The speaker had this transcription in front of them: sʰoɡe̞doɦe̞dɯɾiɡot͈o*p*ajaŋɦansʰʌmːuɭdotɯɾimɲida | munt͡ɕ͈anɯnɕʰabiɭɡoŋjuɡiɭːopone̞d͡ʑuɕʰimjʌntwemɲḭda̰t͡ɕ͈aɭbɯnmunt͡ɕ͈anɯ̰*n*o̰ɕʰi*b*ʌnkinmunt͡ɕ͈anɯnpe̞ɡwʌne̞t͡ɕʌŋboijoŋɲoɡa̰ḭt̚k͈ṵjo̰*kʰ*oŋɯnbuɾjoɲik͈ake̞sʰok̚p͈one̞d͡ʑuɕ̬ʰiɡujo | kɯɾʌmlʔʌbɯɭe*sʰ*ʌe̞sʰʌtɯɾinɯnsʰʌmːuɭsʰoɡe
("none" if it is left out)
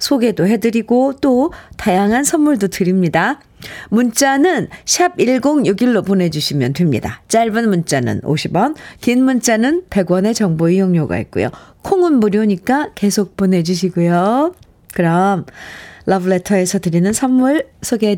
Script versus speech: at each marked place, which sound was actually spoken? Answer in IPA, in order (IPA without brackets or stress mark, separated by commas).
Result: t, n, b, kʰ, tʰ